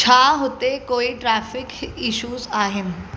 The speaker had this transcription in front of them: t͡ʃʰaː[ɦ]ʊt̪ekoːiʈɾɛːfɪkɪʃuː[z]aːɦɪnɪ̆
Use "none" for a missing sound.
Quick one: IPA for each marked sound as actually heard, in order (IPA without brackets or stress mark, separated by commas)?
ɦ, z